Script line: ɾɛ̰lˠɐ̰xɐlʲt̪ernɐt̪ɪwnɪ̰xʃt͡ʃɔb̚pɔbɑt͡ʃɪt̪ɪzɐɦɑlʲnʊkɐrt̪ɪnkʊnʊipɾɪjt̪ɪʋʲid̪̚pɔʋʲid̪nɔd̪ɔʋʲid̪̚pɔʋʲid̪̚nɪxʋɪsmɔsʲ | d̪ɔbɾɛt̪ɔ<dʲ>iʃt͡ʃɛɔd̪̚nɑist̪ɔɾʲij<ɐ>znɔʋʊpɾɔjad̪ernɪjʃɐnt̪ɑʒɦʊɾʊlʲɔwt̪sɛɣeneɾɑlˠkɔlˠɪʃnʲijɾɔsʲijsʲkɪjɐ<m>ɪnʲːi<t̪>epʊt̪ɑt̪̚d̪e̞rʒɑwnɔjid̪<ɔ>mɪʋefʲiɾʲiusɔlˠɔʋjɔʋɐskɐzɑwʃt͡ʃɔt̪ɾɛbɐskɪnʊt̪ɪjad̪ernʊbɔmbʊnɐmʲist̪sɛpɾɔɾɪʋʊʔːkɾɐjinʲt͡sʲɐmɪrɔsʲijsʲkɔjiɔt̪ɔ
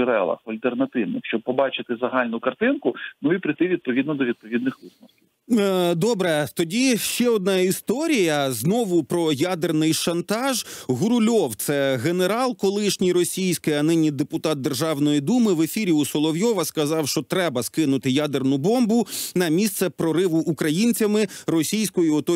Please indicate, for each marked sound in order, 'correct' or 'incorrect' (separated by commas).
correct, correct, incorrect, incorrect, incorrect